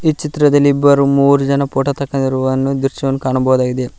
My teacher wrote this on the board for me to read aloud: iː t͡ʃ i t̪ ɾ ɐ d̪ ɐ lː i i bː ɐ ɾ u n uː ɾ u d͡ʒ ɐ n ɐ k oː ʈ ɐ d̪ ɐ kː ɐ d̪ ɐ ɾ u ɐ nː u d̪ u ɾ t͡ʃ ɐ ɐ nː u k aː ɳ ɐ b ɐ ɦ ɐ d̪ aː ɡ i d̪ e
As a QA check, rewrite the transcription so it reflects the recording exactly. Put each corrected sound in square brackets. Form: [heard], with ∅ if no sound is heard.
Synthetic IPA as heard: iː t͡ʃ i t̪ ɾ ɐ d̪ ɐ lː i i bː ɐ ɾ u [m] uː ɾ u d͡ʒ ɐ n ɐ [p] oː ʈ ɐ [t̪] ɐ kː ɐ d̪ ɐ ɾ u ɐ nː u d̪ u ɾ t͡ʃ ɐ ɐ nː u k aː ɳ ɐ b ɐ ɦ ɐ d̪ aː ɡ i d̪ e